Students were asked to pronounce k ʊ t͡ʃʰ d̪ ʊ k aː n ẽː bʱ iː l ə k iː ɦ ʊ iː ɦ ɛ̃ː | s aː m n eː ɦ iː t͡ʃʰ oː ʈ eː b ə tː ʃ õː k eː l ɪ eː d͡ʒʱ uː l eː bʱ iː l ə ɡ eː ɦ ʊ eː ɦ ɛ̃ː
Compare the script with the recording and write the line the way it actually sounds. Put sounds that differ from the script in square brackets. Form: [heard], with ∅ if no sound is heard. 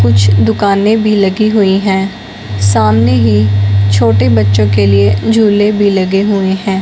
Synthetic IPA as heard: k ʊ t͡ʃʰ d̪ ʊ k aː n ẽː bʱ iː l ə [ɡ] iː ɦ ʊ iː ɦ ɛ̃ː | s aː m n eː ɦ iː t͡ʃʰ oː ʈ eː b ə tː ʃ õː k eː l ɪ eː d͡ʒʱ uː l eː bʱ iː l ə ɡ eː ɦ ʊ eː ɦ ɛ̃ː